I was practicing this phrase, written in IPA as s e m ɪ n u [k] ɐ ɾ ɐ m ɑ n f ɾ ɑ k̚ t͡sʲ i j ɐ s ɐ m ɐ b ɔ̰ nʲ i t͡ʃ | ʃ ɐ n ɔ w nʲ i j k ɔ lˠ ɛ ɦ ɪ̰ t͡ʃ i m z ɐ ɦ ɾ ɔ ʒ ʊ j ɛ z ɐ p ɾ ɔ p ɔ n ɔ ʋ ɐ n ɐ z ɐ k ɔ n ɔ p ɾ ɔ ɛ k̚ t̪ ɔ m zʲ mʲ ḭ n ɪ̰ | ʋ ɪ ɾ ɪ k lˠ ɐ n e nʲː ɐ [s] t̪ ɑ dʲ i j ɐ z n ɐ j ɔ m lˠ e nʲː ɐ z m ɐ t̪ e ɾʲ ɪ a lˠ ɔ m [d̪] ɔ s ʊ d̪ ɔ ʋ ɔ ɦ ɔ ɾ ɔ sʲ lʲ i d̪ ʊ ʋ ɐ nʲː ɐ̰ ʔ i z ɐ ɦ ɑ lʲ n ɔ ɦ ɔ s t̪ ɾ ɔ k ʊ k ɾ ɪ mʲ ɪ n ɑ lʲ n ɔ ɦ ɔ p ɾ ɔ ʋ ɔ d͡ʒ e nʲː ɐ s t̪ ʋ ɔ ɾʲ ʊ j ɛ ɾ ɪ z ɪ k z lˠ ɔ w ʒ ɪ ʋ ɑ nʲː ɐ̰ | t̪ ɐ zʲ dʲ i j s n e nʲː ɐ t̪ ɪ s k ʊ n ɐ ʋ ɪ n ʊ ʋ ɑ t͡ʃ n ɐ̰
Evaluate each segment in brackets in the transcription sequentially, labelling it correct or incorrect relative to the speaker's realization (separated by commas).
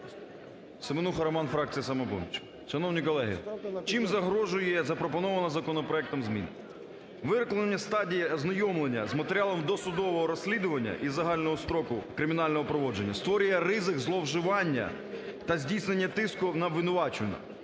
incorrect, correct, correct